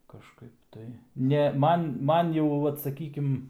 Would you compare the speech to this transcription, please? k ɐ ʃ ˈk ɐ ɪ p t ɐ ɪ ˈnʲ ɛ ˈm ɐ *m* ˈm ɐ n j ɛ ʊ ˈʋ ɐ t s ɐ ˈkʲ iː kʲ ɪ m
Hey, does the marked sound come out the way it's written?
no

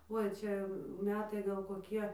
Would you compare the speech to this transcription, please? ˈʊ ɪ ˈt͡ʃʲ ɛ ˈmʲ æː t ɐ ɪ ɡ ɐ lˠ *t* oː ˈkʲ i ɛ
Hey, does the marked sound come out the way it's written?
no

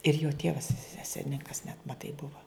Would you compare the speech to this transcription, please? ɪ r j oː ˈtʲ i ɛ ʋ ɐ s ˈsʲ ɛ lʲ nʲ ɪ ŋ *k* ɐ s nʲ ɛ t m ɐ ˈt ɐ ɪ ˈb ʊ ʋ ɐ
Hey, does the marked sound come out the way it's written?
yes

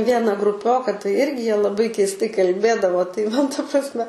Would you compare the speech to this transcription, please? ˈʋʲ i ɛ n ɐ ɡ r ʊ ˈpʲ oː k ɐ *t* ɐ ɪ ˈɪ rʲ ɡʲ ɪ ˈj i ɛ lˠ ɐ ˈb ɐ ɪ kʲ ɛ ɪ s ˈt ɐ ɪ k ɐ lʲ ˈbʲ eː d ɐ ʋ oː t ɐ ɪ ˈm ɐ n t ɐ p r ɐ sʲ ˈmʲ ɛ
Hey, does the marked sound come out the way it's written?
yes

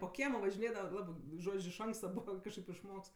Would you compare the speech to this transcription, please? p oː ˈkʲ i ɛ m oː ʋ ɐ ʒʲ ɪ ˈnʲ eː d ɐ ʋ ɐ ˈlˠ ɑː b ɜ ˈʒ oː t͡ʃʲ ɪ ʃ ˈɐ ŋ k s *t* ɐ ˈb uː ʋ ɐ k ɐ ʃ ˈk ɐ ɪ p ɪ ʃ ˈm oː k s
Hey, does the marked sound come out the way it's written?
yes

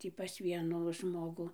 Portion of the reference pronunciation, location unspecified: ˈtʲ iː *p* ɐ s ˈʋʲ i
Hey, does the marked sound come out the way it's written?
yes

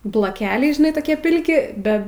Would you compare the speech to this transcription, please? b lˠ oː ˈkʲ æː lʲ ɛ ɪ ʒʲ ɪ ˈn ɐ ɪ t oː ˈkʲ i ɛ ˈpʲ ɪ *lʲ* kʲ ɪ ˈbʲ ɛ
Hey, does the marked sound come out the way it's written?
yes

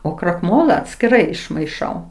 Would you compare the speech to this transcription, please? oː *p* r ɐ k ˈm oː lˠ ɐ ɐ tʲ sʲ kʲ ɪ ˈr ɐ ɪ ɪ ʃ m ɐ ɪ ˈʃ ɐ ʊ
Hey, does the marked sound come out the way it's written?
no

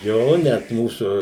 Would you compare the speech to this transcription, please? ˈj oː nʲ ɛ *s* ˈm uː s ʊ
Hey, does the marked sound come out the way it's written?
no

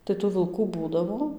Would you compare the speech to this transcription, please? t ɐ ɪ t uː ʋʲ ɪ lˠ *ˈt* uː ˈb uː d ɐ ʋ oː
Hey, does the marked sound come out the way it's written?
no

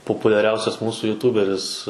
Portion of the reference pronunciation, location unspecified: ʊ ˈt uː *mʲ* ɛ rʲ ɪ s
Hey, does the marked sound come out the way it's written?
no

